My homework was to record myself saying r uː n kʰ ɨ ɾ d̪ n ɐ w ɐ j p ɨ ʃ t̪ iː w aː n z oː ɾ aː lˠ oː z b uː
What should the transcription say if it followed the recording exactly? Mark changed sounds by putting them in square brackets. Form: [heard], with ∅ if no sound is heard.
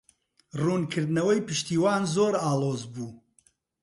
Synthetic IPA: r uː n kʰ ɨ ɾ d̪ n ɐ w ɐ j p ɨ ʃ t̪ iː w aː n z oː ɾ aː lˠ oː z b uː